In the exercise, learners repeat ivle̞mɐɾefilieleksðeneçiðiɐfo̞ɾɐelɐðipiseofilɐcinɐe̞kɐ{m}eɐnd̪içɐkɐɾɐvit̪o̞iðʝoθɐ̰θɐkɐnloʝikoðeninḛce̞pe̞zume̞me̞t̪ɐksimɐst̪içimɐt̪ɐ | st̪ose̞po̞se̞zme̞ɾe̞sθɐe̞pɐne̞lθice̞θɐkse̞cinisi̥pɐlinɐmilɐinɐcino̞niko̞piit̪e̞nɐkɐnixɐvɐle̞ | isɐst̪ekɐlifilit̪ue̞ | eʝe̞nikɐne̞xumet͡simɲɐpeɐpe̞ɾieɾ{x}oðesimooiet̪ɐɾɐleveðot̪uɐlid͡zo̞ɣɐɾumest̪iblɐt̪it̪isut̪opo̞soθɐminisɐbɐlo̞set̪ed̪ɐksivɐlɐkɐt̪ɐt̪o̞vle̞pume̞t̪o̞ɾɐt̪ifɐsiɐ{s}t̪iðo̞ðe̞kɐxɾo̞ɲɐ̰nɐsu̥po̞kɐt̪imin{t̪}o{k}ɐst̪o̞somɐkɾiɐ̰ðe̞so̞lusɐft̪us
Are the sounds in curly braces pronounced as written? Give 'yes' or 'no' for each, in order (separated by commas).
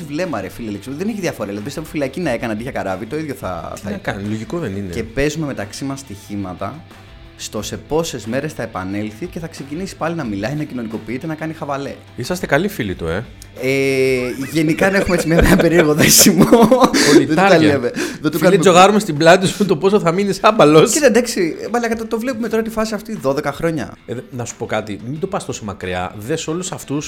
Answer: no, no, no, no, no